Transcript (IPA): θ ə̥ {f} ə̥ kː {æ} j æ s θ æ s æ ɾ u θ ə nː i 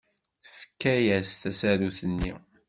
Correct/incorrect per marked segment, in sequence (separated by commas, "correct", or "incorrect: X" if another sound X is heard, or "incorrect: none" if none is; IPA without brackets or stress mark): correct, correct